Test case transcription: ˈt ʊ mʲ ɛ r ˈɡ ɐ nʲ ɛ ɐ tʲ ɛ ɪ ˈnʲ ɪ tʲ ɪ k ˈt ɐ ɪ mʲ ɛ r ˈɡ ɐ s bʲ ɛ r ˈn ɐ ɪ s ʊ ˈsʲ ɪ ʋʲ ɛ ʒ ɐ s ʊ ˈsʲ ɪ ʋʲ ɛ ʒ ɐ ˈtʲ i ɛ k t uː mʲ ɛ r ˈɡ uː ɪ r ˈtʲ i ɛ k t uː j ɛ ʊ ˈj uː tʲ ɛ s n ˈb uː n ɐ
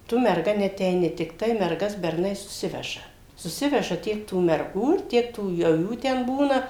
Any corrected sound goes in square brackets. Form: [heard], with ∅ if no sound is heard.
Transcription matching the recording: ˈt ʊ mʲ ɛ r ˈɡ ɐ nʲ ɛ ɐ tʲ ɛ ɪ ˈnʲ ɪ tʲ ɪ k ˈt ɐ ɪ mʲ ɛ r ˈɡ ɐ s bʲ ɛ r ˈn ɐ ɪ s ʊ ˈsʲ ɪ ʋʲ ɛ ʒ ɐ s ʊ ˈsʲ ɪ ʋʲ ɛ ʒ ɐ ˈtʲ i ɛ k t uː mʲ ɛ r ˈɡ uː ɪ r ˈtʲ i ɛ k t uː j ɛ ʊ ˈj uː tʲ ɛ [∅] n ˈb uː n ɐ